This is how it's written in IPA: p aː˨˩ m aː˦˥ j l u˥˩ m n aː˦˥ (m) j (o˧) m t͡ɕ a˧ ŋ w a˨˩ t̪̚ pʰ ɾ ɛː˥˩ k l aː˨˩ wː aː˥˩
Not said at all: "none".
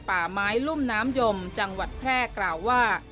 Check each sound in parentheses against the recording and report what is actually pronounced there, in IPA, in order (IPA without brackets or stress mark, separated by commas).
m, o˧